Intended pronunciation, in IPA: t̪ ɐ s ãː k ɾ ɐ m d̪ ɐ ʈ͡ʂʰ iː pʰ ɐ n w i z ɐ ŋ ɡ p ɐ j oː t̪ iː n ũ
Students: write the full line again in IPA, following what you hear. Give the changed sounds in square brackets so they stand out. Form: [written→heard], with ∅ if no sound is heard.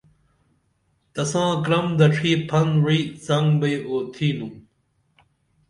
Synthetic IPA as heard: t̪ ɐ s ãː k ɾ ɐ m d̪ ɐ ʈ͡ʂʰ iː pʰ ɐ n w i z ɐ ŋ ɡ [p→b] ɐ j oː [t̪→t̪ʰ] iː n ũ